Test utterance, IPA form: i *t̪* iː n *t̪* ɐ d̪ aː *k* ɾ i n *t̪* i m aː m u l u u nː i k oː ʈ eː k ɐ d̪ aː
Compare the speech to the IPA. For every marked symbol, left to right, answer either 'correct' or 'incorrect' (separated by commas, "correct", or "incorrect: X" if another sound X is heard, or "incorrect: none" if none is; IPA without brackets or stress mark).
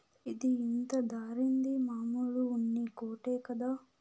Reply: incorrect: d̪, correct, incorrect: none, incorrect: d̪